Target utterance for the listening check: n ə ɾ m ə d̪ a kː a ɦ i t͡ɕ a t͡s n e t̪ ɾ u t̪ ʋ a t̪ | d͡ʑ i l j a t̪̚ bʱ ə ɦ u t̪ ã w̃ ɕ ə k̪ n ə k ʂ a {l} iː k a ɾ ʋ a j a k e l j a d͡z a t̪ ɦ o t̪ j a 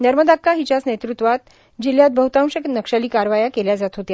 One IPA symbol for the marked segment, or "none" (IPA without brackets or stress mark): l